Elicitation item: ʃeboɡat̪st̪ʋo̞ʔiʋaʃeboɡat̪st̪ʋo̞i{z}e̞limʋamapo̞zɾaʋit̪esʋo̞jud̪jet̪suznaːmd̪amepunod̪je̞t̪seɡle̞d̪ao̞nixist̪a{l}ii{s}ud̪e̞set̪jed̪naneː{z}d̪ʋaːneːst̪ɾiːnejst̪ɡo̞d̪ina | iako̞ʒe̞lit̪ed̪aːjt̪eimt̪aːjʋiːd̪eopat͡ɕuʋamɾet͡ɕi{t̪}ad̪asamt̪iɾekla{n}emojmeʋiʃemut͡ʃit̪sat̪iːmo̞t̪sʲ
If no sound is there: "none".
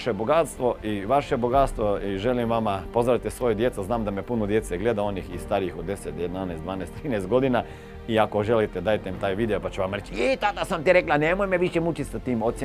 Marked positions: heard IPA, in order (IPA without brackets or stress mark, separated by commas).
ʒ, ɾ, x, s, t̪, n